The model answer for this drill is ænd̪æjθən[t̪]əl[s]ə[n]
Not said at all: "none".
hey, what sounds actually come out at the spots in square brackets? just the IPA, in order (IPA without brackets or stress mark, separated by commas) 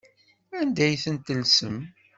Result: t̪, s, m